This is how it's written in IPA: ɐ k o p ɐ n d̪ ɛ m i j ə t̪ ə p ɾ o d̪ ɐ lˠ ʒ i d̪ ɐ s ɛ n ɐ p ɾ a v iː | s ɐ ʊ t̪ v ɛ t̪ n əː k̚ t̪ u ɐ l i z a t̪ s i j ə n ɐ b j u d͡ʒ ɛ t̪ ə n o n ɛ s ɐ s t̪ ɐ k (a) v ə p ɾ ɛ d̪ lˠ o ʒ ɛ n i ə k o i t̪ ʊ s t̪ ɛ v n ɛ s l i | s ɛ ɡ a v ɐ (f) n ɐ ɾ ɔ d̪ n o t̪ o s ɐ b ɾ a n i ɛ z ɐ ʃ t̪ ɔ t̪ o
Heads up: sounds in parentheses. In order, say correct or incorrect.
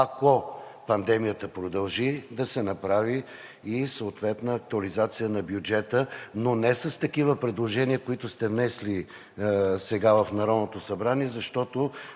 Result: incorrect: i, correct

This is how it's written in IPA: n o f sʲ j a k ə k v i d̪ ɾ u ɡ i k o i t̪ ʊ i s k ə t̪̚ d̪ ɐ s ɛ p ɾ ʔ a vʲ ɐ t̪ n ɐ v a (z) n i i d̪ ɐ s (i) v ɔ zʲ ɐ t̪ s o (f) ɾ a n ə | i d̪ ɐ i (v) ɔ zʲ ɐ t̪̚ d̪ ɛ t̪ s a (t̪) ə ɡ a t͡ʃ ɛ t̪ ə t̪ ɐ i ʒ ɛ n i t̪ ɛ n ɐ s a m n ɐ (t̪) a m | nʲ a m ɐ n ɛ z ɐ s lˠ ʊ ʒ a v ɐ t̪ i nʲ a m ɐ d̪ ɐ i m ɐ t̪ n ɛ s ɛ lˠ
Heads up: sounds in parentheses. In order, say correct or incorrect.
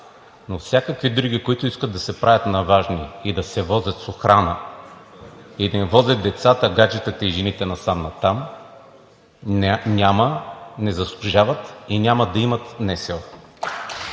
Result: incorrect: ʒ, incorrect: ɛ, incorrect: x, correct, correct, correct

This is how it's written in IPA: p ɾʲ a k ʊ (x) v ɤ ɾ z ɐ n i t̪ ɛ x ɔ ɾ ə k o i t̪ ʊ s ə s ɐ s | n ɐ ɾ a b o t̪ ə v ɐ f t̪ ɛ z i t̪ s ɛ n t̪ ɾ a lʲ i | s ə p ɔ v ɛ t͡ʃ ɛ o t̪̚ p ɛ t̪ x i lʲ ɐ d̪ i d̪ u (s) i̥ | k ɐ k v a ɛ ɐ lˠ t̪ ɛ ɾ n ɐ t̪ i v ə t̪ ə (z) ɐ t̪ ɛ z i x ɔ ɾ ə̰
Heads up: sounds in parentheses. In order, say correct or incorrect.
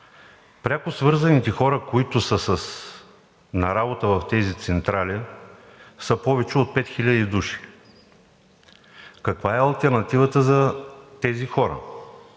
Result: incorrect: s, incorrect: ʃ, correct

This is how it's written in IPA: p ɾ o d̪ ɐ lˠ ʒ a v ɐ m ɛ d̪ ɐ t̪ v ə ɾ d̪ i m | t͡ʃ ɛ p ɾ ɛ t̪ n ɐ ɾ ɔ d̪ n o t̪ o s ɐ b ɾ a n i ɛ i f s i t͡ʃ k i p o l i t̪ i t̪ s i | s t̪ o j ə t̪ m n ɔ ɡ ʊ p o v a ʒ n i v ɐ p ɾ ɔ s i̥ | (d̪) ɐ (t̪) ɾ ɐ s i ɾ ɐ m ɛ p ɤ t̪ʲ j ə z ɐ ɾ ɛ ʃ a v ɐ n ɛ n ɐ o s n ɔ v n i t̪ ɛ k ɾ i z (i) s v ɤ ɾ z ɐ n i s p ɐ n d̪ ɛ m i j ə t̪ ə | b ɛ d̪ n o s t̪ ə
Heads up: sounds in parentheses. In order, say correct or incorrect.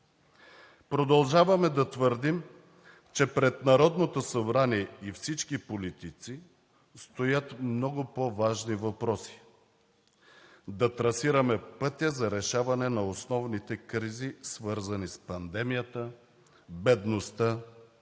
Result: correct, correct, correct

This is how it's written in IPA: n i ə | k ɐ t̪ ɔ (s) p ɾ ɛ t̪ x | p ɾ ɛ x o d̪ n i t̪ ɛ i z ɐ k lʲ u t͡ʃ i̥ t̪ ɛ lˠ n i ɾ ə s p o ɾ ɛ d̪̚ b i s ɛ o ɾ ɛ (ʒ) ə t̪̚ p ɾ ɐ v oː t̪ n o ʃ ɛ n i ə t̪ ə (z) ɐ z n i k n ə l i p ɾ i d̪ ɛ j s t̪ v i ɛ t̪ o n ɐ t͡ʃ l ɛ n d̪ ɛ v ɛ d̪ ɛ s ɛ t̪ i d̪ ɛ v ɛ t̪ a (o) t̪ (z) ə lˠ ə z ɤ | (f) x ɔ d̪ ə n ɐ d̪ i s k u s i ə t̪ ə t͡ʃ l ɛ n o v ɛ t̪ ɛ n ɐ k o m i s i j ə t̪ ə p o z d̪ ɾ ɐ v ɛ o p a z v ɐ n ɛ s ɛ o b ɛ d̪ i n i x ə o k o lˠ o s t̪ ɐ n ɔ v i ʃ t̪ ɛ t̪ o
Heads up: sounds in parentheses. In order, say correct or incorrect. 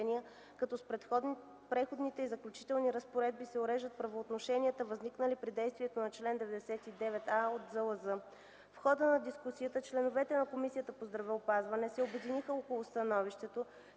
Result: correct, correct, incorrect: v, correct, correct, correct

